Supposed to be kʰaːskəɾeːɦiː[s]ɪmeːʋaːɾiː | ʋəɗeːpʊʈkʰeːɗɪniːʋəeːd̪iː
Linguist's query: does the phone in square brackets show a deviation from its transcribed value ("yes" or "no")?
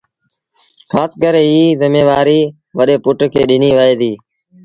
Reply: yes